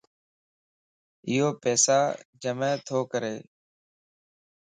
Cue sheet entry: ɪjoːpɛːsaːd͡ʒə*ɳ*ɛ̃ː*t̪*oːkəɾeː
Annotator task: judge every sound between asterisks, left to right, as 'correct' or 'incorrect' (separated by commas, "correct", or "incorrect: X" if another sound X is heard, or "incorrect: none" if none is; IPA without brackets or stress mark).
incorrect: m, incorrect: t̪ʰ